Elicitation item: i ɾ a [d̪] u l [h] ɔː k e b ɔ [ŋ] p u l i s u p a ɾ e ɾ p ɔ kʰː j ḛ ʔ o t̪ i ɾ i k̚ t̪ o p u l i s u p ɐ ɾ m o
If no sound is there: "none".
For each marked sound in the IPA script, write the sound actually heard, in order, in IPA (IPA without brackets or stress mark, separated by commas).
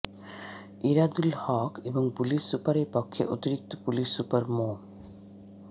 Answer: d̪, h, ŋ